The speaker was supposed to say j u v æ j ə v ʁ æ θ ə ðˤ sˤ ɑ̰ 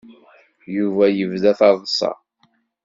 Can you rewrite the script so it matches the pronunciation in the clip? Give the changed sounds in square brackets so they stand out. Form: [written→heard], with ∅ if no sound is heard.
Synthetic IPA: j u v æ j ə v [ʁ→ð] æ θ [ə→ɑ] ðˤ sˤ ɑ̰